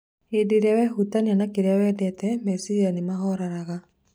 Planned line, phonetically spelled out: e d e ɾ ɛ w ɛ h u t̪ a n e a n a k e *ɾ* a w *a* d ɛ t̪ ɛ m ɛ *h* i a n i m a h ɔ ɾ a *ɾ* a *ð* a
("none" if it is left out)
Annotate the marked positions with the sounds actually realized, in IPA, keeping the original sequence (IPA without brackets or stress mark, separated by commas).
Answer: ɾ, ɛ, s, ɾ, ɣ